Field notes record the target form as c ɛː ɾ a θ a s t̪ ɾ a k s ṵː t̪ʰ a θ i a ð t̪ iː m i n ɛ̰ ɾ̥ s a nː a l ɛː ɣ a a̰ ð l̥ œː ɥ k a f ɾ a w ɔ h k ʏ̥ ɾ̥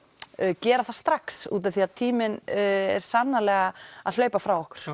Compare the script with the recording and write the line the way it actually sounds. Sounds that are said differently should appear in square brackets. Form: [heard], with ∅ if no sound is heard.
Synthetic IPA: c ɛː ɾ a θ a s t̪ ɾ a k s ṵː [t̪] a θ i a ð [t̪ʰ] iː m [ɪ] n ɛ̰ ɾ̥ s a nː a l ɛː ɣ a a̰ ð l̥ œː ɥ [p] a f ɾ a w ɔ h k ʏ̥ ɾ̥